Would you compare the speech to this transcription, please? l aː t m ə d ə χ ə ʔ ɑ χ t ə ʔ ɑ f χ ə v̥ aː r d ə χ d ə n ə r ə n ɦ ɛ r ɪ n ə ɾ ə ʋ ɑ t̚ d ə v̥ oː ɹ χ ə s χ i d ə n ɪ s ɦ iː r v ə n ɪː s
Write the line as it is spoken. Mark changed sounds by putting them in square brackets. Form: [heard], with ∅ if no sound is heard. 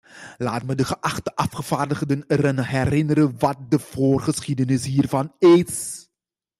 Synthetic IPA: l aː t m ə d ə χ ə ʔ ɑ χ t ə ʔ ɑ f χ ə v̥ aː r d ə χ d ə n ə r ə n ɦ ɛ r ɪ n ə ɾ ə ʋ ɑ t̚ d ə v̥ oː [r] χ ə s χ i d ə n ɪ s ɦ iː r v [ɑ] n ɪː s

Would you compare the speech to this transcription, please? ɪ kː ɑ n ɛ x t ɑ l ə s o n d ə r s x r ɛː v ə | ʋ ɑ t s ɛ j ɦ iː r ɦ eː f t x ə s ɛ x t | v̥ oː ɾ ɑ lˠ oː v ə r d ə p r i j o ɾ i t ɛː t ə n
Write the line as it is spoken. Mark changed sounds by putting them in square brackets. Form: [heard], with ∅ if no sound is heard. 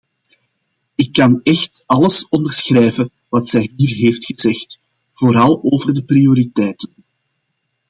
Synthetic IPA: ɪ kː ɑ n ɛ x t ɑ l ə s [ɔ] n d ə r s x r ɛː v ə | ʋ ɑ t s ɛ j ɦ iː r ɦ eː f t x ə [z] ɛ x t | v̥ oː ɾ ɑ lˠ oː v ə r d ə p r i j o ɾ i t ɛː t ə n

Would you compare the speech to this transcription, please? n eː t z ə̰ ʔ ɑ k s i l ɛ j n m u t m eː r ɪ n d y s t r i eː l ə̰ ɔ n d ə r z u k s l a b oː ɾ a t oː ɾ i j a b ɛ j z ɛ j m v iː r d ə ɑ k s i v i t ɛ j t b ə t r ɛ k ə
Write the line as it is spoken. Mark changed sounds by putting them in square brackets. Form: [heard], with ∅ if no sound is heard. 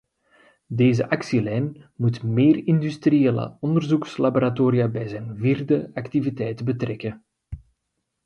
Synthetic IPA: [d] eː [∅] z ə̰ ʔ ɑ k s i l ɛ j n m u t m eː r ɪ n d y s t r i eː l ə̰ ɔ n d ə r z u k s l a b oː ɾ a t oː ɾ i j a b ɛ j z ɛ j [n] v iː r d ə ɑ k [t] i v i t ɛ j t b ə t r ɛ k ə

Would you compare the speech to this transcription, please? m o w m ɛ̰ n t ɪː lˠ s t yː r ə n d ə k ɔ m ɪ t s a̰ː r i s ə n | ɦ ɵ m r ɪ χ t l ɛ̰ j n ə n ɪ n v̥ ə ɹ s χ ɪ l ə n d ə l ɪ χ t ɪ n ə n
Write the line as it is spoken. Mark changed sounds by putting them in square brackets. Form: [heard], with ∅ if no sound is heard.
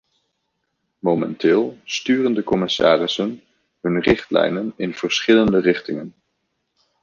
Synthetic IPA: m o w m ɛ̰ n t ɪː lˠ s t yː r ə n d ə k ɔ m ɪ [∅] s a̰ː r [ɪ] s ə n | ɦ ɵ [n] r ɪ χ t l ɛ̰ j n ə n ɪ n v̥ ə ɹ s χ ɪ l ə n d ə [r] ɪ χ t ɪ [ŋ] ə n

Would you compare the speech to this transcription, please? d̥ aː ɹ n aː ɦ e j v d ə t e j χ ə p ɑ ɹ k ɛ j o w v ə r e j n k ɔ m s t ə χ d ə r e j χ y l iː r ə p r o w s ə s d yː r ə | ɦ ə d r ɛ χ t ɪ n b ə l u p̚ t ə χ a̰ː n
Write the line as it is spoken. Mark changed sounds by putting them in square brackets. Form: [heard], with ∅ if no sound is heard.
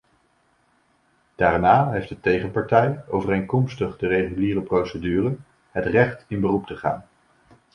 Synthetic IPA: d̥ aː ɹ n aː ɦ e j [f] d ə t e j χ ə p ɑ ɹ [t] ɛ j o w v ə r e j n k ɔ m s t ə χ d ə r e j χ y l iː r ə p r o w s ə [∅] d yː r ə | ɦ ə [t] r ɛ χ t ɪ n b ə [r] u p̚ t ə χ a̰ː n

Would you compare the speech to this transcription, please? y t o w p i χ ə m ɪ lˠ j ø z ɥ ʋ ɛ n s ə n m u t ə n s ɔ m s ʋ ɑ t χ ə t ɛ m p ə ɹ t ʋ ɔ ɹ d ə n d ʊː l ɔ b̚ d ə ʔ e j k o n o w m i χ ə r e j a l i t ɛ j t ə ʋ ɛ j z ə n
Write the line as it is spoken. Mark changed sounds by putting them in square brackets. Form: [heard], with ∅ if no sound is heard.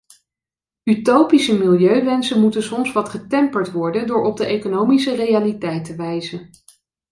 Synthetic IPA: y t o w p i [s] ə m ɪ lˠ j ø [∅] ɥ ʋ ɛ n s ə n m u t ə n s ɔ m s ʋ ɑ t χ ə t ɛ m p ə ɹ t ʋ ɔ ɹ d ə n d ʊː [ɹ] ɔ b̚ d ə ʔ e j k o n o w m i [s] ə r e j a l i t ɛ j t ə ʋ ɛ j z ə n

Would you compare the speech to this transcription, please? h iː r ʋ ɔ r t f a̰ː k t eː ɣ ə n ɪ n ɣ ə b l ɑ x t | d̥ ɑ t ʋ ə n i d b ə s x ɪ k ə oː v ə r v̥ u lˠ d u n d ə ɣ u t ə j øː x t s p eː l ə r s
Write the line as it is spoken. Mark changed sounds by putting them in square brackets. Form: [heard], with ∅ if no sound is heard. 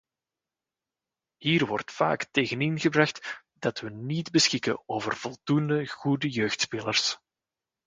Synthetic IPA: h iː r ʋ ɔ r t f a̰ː k t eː ɣ ə n ɪ n ɣ ə b [r] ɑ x t | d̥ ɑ t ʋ ə n i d b ə s x ɪ k ə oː v ə r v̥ [ɔ] lˠ d u n d ə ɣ u [d] ə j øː x t s p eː l ə r s

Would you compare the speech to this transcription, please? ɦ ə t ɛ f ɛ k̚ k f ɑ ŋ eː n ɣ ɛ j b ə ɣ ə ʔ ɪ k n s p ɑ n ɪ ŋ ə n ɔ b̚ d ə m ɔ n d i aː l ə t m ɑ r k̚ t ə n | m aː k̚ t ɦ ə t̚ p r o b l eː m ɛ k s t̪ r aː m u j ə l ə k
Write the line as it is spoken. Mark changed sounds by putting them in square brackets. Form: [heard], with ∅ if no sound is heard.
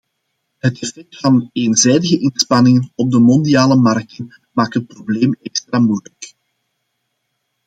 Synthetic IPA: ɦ ə t ɛ f ɛ k̚ [t] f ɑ [n] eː n [z] ɛ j [d] ə ɣ ə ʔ ɪ [∅] n s p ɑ n ɪ ŋ ə n ɔ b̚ d ə m ɔ n d i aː l ə [∅] m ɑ r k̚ t ə n | m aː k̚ t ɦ ə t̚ p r o b l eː m ɛ k s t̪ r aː m u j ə l ə k

